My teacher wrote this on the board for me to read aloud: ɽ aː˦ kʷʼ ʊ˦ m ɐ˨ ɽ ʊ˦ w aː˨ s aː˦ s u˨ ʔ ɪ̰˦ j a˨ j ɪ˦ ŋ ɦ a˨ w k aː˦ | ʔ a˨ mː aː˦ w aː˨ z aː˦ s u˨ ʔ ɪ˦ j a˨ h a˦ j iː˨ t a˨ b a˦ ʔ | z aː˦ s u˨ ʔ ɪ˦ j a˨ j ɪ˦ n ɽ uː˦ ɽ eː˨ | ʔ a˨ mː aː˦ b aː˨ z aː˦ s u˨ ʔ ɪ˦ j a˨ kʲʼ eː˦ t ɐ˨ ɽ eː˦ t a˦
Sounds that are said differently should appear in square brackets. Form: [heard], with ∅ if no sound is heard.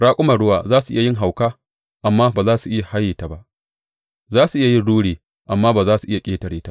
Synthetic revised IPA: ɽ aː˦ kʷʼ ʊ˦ m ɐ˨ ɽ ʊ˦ w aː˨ [z] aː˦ s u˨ ʔ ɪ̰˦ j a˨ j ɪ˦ ŋ ɦ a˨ w k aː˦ | ʔ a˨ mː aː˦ [b] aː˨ z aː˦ s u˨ ʔ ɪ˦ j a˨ h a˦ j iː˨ t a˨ b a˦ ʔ | z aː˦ s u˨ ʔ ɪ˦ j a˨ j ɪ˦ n ɽ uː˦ ɽ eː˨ | ʔ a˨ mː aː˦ b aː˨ z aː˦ s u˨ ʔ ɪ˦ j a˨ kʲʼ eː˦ t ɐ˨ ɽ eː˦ t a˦

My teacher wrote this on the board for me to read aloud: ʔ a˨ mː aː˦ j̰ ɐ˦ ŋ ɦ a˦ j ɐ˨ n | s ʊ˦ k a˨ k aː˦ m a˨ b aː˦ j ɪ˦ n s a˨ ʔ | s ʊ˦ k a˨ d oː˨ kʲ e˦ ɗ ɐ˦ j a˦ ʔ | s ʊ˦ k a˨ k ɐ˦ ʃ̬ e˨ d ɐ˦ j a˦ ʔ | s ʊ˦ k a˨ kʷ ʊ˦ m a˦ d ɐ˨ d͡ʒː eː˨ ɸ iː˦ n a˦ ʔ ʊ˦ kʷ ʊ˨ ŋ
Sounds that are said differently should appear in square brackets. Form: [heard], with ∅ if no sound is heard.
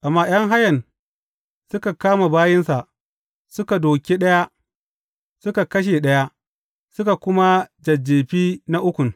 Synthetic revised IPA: ʔ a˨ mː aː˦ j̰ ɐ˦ ŋ ɦ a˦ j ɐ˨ n | s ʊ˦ k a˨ k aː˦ m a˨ b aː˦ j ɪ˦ n s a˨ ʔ | s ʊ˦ k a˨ d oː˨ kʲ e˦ ɗ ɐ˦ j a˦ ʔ | s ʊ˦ k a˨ k ɐ˦ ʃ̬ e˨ [ɗ] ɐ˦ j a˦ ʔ | s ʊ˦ k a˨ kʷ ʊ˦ m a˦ [d͡ʒ] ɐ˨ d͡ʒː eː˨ ɸ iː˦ n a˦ ʔ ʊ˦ kʷ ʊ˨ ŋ

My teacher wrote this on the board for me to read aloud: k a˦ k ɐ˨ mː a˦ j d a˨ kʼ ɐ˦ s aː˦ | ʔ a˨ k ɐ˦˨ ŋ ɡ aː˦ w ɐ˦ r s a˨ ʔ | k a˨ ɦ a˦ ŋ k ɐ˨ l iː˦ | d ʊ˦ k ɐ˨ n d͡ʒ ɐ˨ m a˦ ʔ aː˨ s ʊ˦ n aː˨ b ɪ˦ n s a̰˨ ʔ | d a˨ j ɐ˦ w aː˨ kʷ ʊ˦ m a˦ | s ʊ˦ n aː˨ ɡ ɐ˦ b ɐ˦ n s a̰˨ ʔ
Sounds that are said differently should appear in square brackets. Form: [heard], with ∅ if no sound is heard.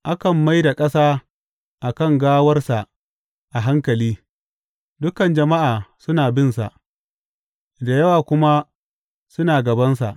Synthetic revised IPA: [ʔ] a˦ k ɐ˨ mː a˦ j d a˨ kʼ ɐ˦ s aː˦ | ʔ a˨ k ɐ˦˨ ŋ ɡ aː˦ w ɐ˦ r s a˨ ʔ | [ʔ] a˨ ɦ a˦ ŋ k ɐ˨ l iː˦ | d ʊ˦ k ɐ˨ n d͡ʒ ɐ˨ m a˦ ʔ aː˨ s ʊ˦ n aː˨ b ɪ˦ n s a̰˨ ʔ | d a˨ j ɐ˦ w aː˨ kʷ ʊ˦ m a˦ | s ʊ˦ n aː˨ ɡ [ɐ˨] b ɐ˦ n s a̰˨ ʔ

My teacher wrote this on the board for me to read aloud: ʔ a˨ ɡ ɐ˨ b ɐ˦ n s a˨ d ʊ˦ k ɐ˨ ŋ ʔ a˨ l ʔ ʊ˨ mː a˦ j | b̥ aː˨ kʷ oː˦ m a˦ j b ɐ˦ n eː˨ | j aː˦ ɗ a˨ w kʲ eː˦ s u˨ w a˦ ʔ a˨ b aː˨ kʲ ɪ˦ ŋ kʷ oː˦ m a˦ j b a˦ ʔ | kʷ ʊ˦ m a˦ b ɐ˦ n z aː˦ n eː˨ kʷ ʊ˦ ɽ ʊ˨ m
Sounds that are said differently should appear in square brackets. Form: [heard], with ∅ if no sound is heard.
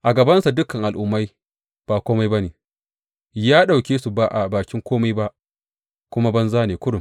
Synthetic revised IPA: ʔ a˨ ɡ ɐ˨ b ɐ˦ n s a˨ d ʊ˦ k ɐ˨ ŋ ʔ a˨ l ʔ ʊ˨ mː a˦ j | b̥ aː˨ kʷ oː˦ m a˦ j b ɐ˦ n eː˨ | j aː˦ ɗ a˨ w kʲ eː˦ s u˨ [b] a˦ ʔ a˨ b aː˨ kʲ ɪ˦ ŋ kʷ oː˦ m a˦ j b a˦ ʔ | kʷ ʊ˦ m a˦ b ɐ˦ n z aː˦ n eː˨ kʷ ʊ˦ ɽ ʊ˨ m

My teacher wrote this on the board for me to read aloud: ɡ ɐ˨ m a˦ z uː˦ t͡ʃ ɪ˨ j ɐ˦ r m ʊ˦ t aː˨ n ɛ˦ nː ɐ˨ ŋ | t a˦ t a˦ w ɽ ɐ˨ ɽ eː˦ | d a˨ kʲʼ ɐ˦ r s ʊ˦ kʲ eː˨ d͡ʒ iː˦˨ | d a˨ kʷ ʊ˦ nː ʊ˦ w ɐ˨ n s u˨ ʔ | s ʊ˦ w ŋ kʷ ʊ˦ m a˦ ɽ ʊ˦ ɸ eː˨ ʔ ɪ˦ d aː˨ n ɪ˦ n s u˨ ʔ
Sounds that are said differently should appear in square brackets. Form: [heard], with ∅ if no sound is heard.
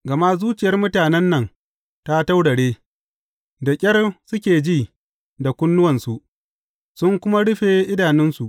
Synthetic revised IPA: ɡ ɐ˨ m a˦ z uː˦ t͡ʃ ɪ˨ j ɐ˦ r m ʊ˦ t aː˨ n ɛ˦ nː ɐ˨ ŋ | t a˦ t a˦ w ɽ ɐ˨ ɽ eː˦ | d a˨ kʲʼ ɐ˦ r s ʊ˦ kʲ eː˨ d͡ʒ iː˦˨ | d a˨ kʷ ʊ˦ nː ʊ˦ w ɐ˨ n s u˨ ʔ | s ʊ˦ [∅] ŋ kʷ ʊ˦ m a˦ ɽ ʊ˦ ɸ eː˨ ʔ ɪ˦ d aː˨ n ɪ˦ n s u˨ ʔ

